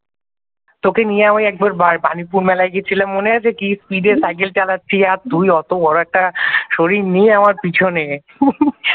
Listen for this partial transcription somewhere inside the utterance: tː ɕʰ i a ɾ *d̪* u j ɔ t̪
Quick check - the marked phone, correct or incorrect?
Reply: incorrect